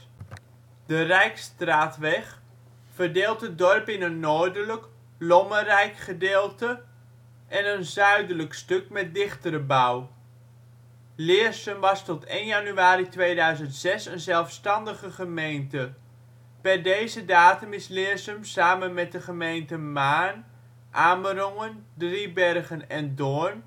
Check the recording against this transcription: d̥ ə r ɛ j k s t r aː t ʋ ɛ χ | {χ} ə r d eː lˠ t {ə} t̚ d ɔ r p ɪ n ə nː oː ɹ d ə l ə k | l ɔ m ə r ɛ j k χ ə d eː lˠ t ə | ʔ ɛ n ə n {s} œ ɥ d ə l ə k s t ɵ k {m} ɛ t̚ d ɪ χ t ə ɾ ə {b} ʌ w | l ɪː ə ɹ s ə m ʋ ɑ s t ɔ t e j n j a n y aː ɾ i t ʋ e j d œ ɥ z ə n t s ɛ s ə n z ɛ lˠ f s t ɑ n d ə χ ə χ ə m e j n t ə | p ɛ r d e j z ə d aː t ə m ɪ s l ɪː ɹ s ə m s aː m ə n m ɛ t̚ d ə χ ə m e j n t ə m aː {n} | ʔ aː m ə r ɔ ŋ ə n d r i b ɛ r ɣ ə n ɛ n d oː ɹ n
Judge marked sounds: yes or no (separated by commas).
no, yes, no, yes, yes, yes